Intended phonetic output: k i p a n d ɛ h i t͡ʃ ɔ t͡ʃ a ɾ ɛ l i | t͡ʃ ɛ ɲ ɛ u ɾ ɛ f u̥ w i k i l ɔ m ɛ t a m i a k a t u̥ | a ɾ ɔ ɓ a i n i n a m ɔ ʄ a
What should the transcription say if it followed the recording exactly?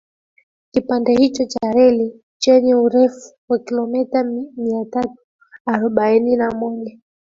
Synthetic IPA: k i p a n d ɛ h i t͡ʃ ɔ t͡ʃ a ɾ ɛ l i | t͡ʃ ɛ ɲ ɛ u ɾ ɛ f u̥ w a k i l ɔ m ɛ t a m i a t a t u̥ | a ɾ ɔ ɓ a i n i n a m ɔ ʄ a